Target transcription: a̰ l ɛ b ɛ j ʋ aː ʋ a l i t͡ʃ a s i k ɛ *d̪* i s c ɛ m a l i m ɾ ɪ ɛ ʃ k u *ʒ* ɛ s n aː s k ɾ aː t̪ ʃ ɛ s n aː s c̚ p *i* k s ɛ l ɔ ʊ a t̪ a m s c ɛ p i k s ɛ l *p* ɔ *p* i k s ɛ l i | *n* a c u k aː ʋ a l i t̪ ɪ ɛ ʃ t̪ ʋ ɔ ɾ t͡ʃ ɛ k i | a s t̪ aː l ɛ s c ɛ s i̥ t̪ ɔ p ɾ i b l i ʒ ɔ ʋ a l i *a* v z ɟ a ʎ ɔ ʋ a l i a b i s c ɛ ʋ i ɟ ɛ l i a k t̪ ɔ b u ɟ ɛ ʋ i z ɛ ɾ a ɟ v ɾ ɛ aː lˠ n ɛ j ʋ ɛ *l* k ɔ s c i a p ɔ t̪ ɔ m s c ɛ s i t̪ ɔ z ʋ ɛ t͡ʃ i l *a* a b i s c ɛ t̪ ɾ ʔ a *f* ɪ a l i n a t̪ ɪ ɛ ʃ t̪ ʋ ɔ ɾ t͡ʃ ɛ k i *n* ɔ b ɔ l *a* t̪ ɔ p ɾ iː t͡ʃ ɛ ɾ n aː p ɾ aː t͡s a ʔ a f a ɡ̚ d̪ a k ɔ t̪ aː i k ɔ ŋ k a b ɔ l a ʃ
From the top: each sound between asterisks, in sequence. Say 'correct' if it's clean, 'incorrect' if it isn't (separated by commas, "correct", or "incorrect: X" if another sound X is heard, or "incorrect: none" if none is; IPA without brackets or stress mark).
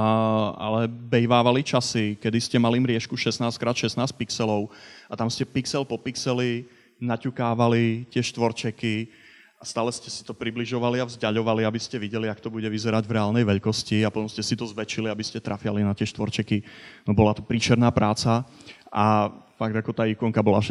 correct, incorrect: ʃ, correct, correct, correct, correct, correct, incorrect: ʎ, incorrect: i, correct, correct, correct